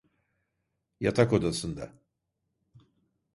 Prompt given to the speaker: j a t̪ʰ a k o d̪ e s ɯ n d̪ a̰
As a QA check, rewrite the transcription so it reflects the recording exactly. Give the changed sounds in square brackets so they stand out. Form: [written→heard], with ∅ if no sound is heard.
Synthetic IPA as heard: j a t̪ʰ a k o d̪ [e→a] s ɯ n d̪ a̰